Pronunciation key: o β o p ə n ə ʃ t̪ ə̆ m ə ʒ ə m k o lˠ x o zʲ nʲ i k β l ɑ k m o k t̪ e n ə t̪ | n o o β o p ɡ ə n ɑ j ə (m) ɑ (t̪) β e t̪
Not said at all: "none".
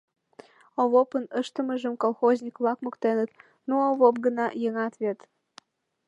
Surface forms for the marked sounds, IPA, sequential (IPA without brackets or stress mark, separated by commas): ŋ, t̪